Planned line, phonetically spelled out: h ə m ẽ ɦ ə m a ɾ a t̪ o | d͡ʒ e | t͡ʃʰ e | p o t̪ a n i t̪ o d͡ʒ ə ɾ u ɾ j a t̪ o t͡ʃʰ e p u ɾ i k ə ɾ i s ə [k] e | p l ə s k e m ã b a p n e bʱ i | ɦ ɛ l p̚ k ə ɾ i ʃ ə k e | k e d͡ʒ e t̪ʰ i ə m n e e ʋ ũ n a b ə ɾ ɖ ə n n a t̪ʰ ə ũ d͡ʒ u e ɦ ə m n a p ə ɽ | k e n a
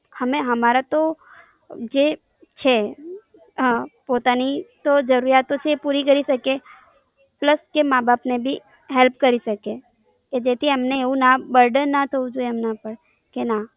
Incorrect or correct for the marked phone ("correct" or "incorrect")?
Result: correct